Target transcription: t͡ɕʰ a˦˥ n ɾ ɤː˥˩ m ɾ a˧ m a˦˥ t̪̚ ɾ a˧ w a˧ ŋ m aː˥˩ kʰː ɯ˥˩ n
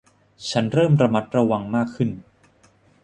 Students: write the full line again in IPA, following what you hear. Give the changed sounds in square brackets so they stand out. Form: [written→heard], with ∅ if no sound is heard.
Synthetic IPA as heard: t͡ɕʰ a˦˥ n ɾ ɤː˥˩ m ɾ a˧ m a˦˥ t̪̚ ɾ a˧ w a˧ ŋ m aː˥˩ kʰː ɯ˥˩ n